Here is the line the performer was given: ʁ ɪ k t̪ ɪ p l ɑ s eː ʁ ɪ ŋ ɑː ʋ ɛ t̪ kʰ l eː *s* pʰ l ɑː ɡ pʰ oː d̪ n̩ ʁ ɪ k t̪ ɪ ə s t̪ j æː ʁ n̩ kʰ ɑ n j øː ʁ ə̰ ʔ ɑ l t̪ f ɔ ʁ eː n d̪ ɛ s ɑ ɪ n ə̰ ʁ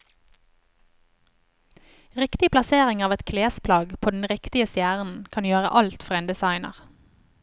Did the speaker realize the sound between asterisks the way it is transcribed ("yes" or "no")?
yes